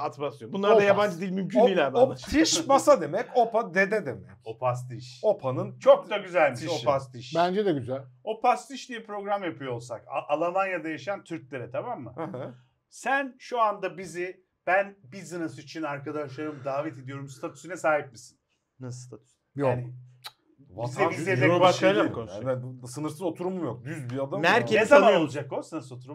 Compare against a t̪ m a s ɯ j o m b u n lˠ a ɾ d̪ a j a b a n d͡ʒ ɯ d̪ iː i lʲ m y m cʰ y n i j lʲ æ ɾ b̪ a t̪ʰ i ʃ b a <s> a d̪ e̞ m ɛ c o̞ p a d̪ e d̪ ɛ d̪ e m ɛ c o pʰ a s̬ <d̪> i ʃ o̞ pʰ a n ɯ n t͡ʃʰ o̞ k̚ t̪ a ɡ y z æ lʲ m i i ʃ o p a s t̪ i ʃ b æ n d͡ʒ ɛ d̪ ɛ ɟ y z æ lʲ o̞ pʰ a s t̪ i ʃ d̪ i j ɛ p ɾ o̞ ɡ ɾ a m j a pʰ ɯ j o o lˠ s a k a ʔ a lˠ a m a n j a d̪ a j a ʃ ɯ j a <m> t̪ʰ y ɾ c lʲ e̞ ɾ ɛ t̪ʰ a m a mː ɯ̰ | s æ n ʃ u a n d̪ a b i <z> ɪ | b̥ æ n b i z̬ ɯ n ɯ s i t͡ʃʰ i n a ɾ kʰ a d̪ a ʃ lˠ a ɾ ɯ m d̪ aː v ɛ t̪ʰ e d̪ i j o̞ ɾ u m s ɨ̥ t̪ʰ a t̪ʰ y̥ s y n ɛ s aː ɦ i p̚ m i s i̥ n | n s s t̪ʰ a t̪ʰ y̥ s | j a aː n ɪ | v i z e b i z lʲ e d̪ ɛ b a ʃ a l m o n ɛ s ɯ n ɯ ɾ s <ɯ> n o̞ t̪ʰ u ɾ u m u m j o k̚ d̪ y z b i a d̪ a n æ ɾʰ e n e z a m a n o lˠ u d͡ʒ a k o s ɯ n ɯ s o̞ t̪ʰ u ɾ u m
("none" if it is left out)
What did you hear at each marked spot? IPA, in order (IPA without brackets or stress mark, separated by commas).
s, t̪, n, z, ɯ